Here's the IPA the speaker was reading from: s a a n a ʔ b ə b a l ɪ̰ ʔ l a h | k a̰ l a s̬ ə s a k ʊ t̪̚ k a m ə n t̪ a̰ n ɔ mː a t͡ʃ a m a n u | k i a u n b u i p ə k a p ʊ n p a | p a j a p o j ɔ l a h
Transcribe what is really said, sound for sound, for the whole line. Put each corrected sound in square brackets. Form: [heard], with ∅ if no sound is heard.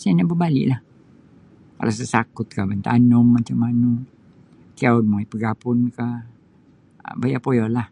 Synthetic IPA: s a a n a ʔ b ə b a l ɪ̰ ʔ l a h | k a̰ l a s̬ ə s a k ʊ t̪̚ k a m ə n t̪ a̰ n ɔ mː a t͡ʃ a m a n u | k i a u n [m] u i p ə [ɡ] a p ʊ n [k] a | [b] a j a p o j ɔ l a h